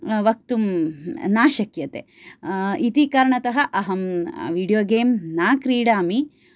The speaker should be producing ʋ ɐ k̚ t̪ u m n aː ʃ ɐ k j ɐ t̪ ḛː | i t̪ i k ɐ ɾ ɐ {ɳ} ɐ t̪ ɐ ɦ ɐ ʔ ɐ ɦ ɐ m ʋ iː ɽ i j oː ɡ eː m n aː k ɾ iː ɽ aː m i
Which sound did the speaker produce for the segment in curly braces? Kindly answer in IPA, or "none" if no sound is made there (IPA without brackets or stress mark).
ɳ